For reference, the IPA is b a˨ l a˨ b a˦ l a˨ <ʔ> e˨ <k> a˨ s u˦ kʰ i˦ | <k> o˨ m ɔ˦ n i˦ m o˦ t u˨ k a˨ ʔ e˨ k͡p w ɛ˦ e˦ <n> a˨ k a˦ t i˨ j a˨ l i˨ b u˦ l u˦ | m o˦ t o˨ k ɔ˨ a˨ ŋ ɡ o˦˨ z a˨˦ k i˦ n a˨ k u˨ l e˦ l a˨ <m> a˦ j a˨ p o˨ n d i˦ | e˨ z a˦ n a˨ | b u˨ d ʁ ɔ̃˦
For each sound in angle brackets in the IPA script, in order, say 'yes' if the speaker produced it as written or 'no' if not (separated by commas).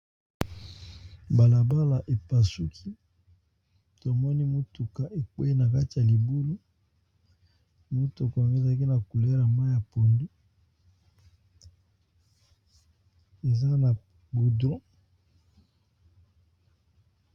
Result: yes, no, no, yes, yes